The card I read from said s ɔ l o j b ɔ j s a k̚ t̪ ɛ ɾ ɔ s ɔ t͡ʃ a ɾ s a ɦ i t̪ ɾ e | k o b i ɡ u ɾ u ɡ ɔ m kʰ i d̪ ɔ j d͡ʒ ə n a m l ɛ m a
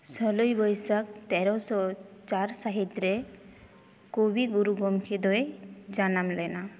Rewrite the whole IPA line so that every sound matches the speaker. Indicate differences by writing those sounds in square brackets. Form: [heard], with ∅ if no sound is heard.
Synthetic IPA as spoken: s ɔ l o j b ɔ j s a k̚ t̪ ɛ ɾ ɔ s ɔ t͡ʃ a ɾ s a ɦ i t̪ ɾ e | k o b i ɡ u ɾ u ɡ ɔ m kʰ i d̪ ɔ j d͡ʒ [a] n a m l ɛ [n] a